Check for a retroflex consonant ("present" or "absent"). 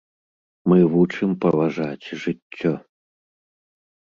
present